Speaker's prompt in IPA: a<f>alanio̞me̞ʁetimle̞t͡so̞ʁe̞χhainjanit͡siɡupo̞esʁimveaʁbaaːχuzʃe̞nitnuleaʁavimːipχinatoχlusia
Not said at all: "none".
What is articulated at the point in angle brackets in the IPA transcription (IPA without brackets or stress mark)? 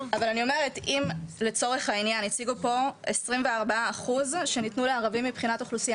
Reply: v